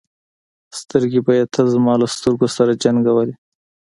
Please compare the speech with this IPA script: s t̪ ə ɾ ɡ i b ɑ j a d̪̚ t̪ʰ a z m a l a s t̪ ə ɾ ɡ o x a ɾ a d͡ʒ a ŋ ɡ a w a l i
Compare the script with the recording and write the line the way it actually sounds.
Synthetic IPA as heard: s t̪ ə ɾ ɡ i b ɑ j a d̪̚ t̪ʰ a z m ɑ l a s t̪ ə ɾ ɡ o s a ɾ a d͡ʒ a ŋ ɡ a w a l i